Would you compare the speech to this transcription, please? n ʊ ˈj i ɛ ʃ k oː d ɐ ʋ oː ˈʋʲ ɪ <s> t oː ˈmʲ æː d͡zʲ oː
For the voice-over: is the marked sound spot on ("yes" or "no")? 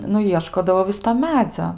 yes